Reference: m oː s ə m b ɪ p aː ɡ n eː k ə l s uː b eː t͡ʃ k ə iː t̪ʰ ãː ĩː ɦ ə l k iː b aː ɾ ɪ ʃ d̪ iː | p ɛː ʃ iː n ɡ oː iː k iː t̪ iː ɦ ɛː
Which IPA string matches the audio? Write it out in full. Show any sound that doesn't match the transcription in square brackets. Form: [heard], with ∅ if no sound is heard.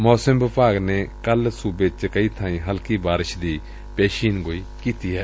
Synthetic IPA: m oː s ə m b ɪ p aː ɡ n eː k ə l s uː b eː t͡ʃ k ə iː t̪ʰ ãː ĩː ɦ ə l k iː b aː ɾ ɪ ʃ d̪ iː | p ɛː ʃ iː n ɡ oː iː k iː t̪ iː ɦ ɛː